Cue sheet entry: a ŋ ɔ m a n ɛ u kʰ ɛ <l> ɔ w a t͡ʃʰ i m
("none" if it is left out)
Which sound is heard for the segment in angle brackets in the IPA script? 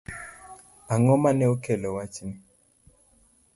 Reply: l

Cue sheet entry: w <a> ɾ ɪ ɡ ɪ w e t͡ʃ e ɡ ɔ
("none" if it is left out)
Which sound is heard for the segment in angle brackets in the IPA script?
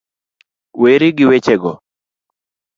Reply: e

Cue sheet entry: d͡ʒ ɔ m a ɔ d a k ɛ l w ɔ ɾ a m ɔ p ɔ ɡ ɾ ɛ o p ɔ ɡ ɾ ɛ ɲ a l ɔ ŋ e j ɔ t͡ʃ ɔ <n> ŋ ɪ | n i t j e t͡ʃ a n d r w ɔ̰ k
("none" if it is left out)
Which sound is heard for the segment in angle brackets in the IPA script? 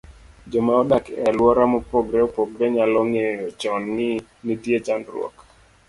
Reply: n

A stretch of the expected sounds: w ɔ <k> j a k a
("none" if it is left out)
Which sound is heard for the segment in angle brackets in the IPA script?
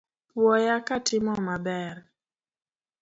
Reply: none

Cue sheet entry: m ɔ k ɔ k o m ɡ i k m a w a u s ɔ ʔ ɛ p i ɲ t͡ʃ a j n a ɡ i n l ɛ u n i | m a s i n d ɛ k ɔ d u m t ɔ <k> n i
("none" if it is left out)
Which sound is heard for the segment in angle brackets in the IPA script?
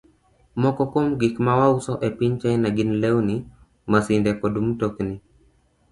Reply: k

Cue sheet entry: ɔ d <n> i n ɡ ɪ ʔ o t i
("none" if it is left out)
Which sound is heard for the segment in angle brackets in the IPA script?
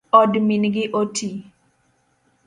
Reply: m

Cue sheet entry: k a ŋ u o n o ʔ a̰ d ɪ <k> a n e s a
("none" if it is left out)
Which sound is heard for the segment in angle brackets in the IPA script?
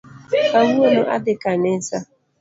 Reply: k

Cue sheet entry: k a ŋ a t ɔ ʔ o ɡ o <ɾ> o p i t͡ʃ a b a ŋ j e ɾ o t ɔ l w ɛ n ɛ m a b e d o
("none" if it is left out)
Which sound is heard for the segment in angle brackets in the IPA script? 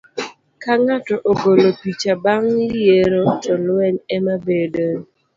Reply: l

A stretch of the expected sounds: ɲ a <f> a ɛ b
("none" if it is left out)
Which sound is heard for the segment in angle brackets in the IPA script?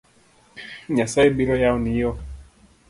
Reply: s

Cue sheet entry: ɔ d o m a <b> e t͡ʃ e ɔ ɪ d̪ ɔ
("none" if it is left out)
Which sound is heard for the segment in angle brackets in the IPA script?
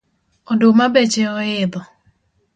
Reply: b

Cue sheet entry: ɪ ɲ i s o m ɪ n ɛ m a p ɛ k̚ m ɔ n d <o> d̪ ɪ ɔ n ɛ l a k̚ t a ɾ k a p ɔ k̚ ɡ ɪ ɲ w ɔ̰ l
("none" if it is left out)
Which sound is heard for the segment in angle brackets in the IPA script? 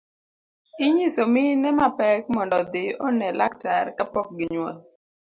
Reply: ɔ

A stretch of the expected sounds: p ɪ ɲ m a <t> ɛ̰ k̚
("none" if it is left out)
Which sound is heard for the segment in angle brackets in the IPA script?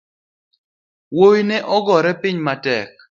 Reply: t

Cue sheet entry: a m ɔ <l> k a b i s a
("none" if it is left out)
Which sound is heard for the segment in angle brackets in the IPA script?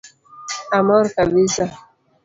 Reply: ɾ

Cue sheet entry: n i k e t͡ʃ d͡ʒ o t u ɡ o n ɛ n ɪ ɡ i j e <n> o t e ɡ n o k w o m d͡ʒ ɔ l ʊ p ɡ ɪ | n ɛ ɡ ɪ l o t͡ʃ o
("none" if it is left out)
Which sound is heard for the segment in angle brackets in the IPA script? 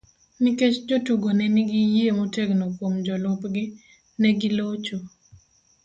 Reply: m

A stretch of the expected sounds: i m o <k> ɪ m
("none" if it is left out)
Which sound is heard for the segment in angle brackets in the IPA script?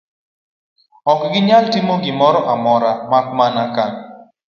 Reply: ɡ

